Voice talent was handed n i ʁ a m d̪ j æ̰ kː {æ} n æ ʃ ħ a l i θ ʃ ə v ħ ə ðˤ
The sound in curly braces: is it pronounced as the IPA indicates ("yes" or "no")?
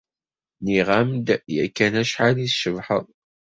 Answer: yes